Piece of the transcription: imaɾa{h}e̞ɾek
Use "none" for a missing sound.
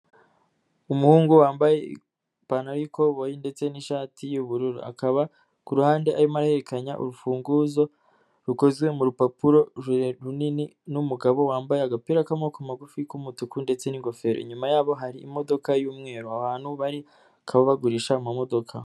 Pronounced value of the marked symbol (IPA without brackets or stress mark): h